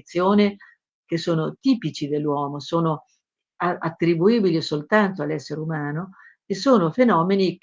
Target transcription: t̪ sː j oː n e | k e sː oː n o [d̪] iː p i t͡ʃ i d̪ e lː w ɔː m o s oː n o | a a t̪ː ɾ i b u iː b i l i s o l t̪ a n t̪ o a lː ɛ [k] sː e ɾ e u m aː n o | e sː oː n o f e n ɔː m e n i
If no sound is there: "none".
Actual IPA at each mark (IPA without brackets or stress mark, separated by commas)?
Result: t̪, none